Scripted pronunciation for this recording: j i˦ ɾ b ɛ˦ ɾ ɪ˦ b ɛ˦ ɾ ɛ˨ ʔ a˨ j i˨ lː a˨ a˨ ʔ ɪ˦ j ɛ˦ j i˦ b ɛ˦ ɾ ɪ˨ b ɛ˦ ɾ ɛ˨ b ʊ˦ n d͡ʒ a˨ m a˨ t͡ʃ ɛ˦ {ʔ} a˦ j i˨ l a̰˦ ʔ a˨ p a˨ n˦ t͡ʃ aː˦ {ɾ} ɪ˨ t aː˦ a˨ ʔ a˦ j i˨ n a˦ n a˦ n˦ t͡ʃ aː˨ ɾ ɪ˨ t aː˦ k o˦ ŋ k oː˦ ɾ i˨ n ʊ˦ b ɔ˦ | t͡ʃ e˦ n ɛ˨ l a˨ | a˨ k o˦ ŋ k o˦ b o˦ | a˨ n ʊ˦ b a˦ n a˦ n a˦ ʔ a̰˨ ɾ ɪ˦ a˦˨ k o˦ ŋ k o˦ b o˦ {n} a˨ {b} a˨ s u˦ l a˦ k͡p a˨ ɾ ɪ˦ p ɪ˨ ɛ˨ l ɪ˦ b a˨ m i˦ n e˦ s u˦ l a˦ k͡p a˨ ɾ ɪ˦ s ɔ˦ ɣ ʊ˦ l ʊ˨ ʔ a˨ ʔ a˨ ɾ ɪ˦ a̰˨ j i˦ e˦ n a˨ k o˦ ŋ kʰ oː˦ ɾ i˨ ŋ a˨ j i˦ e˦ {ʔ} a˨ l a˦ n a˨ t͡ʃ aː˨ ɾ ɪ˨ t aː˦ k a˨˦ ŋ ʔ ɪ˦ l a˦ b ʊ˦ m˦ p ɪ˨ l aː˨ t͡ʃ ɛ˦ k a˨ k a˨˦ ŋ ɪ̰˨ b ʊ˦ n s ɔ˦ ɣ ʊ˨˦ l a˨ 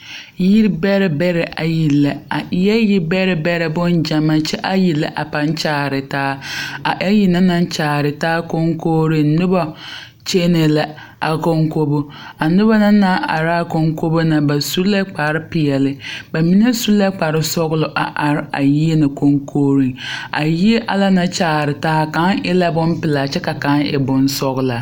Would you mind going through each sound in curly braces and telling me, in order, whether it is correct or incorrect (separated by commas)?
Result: correct, correct, correct, correct, correct